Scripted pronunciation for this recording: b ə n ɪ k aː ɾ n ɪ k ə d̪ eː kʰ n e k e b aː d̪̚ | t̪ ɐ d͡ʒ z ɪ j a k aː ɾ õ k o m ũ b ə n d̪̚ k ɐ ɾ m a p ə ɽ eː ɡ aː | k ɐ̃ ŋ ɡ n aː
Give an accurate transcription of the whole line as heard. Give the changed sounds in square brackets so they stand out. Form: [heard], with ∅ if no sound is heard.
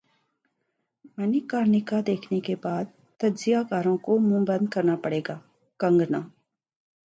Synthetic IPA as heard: [m] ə n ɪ k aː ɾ n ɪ k [a] d̪ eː kʰ n e k e b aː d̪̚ | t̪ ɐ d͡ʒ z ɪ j a k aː ɾ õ k o m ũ b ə n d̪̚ k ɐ ɾ [n] a p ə ɽ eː ɡ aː | k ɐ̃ ŋ ɡ n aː